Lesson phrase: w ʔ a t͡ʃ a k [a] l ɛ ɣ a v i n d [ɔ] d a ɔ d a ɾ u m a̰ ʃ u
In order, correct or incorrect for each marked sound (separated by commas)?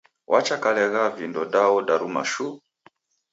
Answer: correct, correct